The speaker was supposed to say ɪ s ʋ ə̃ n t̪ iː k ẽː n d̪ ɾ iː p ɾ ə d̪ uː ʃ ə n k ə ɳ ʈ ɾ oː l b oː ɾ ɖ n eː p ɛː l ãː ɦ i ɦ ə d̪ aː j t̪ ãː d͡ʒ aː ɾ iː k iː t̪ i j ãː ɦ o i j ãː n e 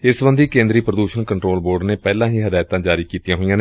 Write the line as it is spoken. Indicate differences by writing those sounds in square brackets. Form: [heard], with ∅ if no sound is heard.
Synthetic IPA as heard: ɪ s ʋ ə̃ n [d̪] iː k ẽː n d̪ ɾ iː p ɾ ə d̪ uː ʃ ə n k ə ɳ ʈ ɾ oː l b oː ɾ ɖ n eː p ɛː l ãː ɦ [iː] ɦ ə d̪ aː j t̪ ãː d͡ʒ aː ɾ iː k iː t̪ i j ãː ɦ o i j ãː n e